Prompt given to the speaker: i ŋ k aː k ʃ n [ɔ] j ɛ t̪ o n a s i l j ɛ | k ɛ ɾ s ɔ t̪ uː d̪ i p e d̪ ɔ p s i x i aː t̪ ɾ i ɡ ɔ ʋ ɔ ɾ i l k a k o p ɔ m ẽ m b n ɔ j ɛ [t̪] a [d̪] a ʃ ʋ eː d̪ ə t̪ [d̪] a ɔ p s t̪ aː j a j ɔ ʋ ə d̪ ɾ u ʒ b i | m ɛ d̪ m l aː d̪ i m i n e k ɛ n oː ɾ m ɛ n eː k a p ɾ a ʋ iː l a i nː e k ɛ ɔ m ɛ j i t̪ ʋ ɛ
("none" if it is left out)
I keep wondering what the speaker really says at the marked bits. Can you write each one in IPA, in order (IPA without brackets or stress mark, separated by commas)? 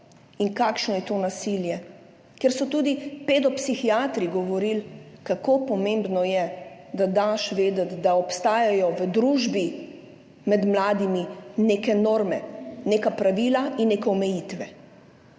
ɔ, d̪, d̪, d̪